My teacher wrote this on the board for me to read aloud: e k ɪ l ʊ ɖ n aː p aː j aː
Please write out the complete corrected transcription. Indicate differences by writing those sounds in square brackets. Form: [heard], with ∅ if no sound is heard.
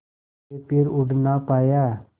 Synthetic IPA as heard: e [p] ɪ [ɾ] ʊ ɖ n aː p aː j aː